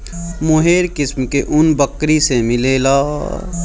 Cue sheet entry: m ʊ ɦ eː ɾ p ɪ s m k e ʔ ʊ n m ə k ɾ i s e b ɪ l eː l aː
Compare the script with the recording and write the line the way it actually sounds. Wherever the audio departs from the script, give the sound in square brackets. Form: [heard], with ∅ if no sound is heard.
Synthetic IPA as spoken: m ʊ ɦ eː ɾ [k] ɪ s m k e ʔ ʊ n [b] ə k ɾ i s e [m] ɪ l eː l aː